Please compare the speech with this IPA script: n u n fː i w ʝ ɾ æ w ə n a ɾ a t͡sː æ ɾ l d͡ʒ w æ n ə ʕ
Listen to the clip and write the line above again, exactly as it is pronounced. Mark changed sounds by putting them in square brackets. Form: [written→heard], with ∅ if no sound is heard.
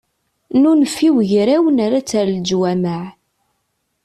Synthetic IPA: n u n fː i w ʝ ɾ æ w ə n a ɾ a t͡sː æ ɾ l d͡ʒ w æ [n→m] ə ʕ